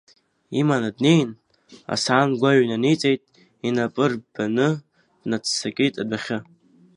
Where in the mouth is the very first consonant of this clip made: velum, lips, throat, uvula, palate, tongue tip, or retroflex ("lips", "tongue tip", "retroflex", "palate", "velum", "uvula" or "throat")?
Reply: lips